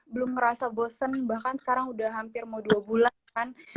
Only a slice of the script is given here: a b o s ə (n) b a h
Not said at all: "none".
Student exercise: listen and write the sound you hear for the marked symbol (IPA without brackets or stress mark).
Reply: n